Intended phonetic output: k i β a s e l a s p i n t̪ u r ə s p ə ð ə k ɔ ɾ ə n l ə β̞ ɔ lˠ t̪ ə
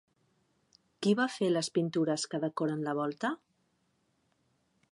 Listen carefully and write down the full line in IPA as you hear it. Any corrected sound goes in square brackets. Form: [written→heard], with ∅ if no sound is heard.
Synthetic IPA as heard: k i β a [s→f] e l [a→ə] s p i n t̪ u [r→ɾ] ə s [p→k] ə ð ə k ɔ ɾ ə n l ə β̞ ɔ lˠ t̪ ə